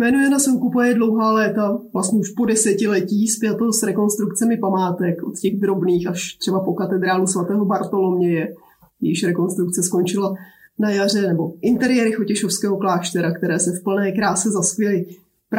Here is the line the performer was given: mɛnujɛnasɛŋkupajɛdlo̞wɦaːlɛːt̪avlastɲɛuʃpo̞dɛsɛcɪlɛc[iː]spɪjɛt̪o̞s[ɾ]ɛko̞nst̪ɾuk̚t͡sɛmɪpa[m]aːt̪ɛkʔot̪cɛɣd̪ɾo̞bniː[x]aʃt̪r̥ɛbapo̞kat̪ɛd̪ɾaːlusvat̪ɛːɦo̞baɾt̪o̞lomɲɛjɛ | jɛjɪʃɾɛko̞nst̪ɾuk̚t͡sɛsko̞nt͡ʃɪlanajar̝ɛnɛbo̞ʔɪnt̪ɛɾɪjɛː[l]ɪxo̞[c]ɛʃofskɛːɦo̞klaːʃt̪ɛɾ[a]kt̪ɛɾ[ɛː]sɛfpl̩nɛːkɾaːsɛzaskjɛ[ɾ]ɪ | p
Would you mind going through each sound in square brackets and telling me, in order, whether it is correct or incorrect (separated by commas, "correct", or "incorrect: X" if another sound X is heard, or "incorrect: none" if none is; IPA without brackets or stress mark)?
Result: correct, correct, correct, correct, incorrect: ɾ, correct, correct, correct, incorrect: l